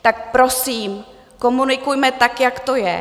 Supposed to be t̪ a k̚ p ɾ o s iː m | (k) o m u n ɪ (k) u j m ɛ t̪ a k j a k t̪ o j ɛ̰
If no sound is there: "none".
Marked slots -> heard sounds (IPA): k, k

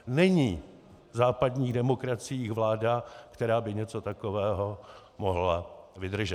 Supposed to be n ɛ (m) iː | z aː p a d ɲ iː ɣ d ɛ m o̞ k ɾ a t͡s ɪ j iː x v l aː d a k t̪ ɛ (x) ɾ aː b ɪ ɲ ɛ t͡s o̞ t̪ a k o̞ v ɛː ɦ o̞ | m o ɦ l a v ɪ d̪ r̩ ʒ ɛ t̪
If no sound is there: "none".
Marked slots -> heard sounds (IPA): ɲ, none

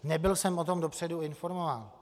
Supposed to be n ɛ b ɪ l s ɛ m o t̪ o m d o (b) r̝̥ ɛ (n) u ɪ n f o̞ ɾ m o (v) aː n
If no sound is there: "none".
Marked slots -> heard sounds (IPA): p, d, v

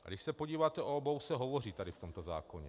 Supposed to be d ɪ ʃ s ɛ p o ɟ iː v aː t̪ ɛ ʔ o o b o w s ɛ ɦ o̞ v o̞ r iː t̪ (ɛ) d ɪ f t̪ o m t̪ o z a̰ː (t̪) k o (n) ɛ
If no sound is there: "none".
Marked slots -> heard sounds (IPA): a, none, ɲ

